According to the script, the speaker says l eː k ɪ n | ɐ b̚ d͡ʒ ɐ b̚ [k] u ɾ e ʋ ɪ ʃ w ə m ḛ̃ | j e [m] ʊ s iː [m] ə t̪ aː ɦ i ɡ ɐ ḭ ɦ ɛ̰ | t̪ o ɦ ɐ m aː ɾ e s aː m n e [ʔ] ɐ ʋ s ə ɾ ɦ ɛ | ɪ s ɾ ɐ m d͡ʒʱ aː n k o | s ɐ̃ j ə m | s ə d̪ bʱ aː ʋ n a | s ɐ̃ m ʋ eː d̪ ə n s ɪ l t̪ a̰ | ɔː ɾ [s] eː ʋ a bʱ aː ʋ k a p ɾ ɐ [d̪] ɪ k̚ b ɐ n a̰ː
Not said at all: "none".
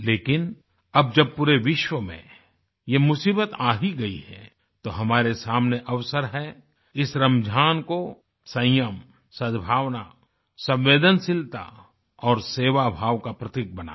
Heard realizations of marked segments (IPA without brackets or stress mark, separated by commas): p, m, b, ʔ, s, t̪